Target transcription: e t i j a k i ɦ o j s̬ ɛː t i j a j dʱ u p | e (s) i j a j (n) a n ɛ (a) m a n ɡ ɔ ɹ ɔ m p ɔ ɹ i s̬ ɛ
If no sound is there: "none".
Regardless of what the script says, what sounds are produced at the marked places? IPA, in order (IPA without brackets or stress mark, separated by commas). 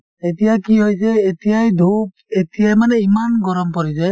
t, m, i